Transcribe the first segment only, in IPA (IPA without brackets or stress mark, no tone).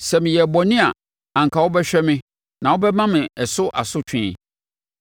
s